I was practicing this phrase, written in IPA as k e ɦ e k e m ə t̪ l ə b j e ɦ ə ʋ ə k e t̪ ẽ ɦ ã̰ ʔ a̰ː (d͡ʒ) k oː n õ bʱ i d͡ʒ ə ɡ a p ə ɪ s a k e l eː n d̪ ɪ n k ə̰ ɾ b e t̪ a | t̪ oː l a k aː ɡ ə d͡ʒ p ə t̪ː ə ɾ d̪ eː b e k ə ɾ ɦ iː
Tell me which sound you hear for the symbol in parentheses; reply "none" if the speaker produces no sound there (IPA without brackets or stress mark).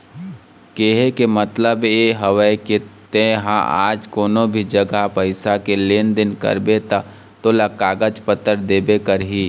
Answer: d͡ʒ